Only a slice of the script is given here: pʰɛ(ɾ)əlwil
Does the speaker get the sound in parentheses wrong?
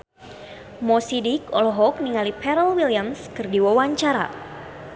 no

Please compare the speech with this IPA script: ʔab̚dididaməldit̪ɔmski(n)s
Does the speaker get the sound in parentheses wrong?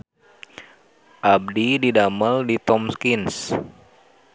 no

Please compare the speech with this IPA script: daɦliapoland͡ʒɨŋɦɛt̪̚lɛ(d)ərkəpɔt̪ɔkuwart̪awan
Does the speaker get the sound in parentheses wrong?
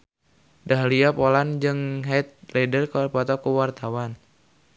no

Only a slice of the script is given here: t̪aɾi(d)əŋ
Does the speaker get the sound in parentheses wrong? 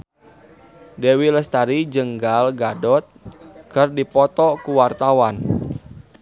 yes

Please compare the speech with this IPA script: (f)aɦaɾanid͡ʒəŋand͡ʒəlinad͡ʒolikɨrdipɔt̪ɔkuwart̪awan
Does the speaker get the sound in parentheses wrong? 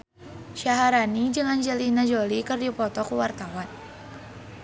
yes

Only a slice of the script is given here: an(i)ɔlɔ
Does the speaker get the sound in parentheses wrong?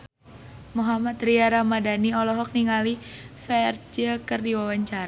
no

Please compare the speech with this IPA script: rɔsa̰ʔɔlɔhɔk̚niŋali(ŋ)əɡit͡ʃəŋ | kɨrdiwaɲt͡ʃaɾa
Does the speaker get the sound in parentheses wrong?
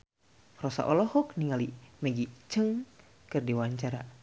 yes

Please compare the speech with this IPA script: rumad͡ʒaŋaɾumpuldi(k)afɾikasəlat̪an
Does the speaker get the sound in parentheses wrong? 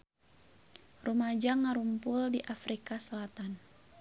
yes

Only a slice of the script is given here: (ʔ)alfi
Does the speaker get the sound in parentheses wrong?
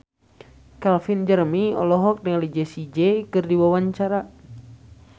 yes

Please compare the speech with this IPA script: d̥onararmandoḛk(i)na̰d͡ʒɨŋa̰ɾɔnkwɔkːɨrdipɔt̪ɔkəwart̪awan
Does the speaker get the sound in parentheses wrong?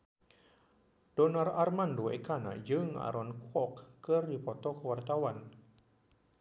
yes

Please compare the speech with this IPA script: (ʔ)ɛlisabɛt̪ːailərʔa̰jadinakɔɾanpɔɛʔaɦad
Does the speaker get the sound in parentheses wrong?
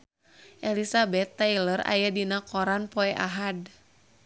no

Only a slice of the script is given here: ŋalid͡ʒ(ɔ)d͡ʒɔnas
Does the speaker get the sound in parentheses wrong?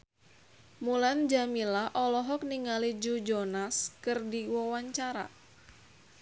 yes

